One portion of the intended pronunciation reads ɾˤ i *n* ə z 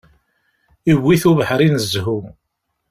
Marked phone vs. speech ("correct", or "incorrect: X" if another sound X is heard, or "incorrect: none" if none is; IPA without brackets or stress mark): correct